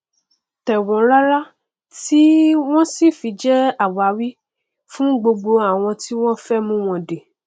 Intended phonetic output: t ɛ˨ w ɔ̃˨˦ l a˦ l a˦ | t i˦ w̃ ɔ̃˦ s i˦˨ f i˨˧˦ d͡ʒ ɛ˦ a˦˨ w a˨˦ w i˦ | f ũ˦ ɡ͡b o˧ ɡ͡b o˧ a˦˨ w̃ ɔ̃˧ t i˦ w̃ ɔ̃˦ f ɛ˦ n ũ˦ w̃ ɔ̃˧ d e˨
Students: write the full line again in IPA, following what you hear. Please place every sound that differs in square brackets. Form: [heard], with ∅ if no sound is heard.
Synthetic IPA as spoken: t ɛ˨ w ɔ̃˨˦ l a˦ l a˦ | t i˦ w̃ ɔ̃˦ s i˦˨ f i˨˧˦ d͡ʒ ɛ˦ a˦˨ w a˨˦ w i˦ | f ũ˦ ɡ͡b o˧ ɡ͡b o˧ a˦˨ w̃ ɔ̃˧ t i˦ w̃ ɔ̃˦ f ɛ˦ [m] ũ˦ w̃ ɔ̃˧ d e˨